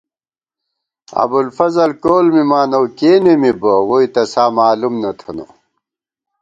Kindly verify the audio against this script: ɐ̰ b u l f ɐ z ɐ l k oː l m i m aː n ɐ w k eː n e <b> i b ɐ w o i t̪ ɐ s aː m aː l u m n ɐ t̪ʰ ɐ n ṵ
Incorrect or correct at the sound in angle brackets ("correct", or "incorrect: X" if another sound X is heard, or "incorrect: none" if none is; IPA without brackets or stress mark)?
incorrect: m